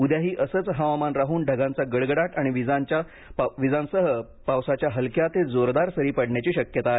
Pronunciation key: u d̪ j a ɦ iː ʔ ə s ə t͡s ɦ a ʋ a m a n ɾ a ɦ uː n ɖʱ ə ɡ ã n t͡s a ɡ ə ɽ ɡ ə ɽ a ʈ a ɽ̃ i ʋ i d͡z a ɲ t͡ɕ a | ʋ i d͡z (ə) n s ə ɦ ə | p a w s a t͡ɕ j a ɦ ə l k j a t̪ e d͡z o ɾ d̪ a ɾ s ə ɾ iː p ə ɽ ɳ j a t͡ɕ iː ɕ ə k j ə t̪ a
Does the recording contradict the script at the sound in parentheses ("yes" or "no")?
yes